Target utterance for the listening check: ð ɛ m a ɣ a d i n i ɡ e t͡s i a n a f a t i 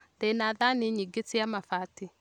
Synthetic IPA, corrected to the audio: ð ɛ n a ð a n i ɲ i ɡ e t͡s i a m a f a t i